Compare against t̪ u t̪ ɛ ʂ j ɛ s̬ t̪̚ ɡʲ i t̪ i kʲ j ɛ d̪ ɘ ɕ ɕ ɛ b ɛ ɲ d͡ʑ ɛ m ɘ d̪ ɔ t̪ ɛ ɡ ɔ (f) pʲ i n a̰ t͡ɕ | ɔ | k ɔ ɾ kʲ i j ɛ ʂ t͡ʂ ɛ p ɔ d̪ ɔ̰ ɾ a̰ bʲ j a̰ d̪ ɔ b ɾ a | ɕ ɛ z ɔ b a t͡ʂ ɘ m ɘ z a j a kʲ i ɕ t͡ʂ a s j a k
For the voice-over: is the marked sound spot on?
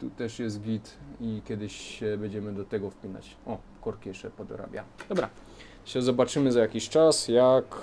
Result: yes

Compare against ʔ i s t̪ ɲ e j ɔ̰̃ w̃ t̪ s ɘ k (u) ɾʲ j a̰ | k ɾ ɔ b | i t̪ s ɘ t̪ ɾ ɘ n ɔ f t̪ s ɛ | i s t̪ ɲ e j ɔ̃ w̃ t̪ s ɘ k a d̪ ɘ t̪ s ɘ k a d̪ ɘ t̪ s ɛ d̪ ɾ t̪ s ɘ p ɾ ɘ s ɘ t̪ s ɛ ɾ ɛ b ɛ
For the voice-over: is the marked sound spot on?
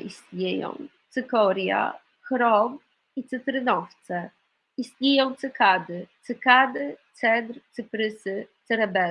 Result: no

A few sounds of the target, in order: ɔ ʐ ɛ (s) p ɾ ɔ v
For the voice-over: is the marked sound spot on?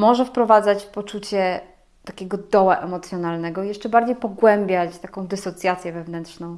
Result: no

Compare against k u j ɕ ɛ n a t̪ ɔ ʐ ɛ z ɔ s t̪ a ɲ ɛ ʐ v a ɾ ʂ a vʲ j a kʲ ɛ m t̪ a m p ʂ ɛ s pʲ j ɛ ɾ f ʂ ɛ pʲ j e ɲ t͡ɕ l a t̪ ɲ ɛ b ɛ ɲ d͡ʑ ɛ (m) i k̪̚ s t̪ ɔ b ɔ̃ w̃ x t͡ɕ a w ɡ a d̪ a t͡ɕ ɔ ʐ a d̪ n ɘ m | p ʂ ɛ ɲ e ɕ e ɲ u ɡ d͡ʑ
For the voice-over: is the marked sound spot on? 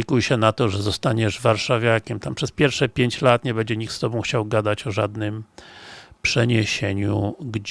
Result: no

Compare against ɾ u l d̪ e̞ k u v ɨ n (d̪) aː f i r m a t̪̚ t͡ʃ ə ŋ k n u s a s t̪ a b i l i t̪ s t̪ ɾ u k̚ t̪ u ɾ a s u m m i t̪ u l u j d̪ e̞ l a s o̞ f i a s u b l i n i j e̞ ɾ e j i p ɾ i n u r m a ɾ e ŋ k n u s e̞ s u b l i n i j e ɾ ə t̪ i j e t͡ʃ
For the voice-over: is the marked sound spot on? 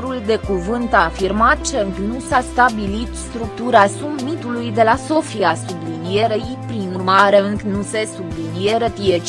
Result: no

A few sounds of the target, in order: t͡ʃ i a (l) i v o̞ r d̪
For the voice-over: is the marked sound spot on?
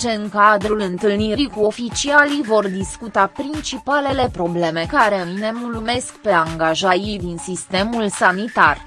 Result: yes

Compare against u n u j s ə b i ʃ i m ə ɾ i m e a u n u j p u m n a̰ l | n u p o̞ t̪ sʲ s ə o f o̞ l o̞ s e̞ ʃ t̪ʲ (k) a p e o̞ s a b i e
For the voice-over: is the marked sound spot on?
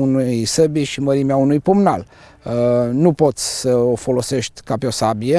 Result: yes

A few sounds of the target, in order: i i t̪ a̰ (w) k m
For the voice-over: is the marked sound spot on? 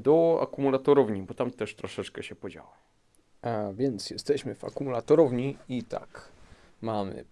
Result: no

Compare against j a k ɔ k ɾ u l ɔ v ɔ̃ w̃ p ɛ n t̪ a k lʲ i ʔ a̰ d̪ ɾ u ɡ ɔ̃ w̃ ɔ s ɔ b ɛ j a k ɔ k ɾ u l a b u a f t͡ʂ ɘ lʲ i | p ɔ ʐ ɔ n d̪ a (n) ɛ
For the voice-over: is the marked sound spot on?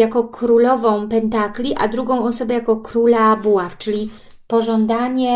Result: no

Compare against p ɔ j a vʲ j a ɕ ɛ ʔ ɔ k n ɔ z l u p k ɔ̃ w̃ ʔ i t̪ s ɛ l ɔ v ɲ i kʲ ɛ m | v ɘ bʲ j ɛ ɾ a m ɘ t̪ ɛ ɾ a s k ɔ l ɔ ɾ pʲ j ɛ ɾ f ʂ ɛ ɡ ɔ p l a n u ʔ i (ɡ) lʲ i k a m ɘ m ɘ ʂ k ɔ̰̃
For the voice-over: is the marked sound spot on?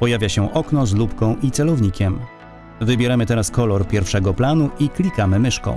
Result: no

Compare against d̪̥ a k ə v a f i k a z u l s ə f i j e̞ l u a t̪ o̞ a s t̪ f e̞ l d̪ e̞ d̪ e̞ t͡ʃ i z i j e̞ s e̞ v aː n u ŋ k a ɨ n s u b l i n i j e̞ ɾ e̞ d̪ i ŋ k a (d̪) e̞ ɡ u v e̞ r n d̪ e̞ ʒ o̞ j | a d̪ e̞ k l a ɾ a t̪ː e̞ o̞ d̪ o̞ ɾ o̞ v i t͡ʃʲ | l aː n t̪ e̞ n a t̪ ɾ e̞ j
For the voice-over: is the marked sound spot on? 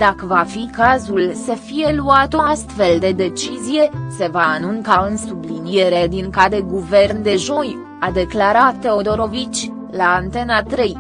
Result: yes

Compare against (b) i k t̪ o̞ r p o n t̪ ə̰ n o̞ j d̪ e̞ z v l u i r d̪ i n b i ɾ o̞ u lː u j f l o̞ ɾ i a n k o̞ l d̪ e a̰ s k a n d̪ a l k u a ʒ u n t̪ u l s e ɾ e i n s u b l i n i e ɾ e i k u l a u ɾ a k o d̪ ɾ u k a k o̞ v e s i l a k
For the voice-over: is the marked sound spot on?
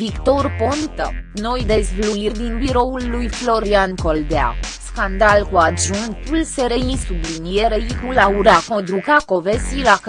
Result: no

